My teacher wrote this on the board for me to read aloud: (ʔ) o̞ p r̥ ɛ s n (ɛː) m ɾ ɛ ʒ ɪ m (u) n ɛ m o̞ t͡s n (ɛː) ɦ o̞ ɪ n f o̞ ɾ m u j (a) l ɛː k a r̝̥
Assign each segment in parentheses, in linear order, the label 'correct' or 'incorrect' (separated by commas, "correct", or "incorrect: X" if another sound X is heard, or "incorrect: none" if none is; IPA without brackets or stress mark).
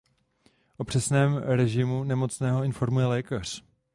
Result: correct, correct, correct, correct, incorrect: ɛ